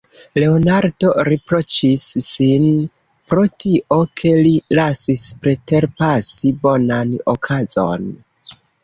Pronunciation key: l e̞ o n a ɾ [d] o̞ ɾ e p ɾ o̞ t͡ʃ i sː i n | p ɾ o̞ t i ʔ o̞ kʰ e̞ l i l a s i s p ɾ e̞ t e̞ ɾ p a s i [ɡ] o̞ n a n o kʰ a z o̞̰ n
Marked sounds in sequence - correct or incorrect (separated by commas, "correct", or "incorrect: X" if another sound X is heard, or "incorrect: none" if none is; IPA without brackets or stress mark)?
correct, incorrect: b